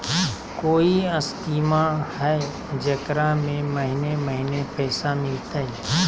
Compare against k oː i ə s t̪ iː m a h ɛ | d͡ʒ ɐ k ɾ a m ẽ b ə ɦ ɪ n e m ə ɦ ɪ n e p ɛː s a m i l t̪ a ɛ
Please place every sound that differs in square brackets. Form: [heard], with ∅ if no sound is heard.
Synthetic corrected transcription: k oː i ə s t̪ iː m a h ɛ | d͡ʒ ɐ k ɾ a m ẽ [m] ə ɦ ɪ n e m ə ɦ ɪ n e p ɛː s a m [ɪ] l t̪ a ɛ